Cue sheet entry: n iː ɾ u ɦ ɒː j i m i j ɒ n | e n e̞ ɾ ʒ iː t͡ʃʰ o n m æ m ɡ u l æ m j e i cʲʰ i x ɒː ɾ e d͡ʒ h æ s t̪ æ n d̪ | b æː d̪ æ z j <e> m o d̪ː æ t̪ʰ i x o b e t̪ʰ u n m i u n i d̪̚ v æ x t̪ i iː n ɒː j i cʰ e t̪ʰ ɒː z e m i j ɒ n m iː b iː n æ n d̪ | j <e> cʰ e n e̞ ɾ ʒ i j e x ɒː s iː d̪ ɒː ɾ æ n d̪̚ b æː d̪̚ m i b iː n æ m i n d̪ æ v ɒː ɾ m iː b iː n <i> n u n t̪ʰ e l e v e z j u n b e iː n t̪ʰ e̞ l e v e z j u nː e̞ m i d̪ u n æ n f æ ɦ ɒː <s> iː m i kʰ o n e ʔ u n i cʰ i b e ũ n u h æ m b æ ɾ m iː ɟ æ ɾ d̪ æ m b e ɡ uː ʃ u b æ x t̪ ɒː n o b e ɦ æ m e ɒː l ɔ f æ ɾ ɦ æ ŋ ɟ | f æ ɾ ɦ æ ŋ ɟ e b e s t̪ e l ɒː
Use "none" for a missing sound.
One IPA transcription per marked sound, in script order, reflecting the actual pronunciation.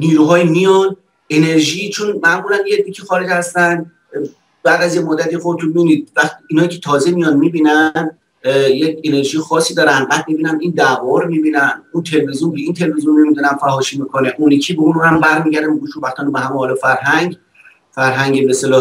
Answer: e, e, æ, ʃ

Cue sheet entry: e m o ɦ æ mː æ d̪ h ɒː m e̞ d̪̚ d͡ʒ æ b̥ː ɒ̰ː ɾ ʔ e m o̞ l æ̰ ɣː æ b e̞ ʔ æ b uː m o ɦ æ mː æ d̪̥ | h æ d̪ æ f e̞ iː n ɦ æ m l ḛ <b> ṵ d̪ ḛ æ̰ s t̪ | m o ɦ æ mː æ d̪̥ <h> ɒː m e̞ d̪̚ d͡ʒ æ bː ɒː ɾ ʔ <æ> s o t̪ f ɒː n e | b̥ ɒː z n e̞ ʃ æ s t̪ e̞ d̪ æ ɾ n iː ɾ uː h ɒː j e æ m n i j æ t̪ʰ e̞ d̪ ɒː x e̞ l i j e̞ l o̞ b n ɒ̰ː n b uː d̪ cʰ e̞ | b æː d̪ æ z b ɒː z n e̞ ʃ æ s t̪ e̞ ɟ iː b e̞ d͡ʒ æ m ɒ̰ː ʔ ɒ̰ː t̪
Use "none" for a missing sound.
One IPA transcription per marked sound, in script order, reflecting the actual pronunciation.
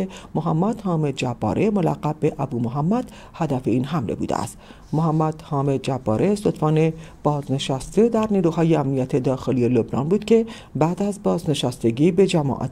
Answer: b, h, e

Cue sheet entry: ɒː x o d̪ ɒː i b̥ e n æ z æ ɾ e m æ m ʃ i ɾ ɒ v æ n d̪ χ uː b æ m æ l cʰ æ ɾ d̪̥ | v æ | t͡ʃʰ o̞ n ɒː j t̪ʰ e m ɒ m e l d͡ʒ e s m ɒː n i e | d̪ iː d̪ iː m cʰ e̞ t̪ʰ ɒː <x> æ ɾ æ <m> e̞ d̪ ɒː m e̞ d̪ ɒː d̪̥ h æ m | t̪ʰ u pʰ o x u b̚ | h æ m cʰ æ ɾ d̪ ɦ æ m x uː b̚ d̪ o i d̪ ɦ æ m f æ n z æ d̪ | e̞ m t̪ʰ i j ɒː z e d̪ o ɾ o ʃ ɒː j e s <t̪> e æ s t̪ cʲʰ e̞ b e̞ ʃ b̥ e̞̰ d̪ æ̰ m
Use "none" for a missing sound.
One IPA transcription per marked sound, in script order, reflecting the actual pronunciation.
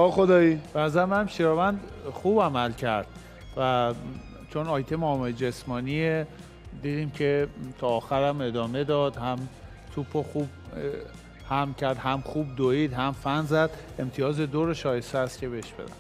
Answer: x, m, t̪

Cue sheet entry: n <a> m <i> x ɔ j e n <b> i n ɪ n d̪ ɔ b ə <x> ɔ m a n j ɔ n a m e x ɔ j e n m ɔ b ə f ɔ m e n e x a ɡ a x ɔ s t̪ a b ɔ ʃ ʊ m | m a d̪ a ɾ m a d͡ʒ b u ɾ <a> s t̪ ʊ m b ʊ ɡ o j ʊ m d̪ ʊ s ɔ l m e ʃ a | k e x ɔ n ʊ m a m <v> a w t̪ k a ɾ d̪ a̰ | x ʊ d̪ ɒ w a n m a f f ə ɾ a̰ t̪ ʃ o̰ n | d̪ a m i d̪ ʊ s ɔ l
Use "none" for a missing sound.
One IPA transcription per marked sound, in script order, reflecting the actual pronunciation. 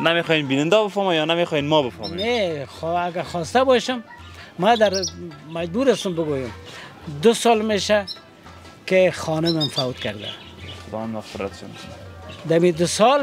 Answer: a, e, b, f, a, f

